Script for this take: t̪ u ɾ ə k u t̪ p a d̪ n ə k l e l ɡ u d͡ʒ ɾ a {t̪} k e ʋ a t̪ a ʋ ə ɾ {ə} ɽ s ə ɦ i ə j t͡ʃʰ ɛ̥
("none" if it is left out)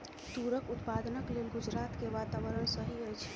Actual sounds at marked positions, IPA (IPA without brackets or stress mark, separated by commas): t̪, ə